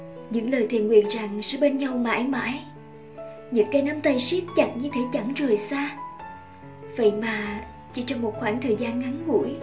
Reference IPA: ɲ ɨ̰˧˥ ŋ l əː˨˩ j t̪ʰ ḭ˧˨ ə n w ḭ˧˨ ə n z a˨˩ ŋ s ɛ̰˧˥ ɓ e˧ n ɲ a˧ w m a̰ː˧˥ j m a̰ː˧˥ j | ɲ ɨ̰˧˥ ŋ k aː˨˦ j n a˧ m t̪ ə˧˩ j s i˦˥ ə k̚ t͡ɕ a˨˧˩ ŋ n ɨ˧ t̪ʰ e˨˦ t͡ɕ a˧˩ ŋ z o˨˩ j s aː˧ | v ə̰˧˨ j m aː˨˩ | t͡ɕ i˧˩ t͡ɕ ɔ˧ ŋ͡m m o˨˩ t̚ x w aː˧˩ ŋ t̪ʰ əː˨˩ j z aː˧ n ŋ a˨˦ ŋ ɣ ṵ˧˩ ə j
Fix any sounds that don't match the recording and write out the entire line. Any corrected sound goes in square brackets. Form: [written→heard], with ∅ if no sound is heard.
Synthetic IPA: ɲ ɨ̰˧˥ ŋ l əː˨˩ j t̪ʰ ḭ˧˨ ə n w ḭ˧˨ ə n z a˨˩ ŋ s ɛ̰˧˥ ɓ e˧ n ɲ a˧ w m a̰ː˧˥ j m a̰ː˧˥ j | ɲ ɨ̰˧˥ ŋ k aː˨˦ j n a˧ m t̪ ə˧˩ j s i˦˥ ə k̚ t͡ɕ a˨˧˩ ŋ [n→ɲ] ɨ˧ t̪ʰ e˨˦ t͡ɕ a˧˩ ŋ z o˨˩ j s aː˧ | v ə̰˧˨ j m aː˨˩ | t͡ɕ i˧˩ t͡ɕ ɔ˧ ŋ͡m m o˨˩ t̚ x w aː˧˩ ŋ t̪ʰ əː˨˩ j z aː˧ n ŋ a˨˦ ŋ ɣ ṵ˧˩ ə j